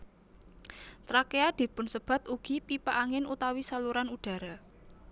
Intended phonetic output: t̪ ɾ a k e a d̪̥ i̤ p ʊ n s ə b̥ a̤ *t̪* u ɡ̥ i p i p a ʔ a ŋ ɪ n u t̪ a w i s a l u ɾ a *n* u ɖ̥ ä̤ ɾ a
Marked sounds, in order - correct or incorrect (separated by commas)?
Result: correct, correct